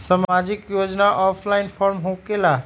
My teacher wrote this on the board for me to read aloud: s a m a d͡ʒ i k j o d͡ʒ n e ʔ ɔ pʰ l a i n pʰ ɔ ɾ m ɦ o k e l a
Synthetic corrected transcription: s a m a d͡ʒ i k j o d͡ʒ n a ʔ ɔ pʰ l a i n pʰ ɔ ɾ m ɦ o k e l a